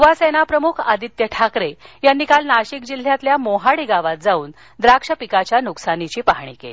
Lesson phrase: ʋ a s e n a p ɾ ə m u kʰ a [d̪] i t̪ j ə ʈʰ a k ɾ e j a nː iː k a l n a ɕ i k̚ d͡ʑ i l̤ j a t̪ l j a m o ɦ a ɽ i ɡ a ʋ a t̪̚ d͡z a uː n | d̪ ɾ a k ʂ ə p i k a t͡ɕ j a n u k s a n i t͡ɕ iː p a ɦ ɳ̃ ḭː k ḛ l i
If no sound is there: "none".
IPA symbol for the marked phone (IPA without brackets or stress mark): d̪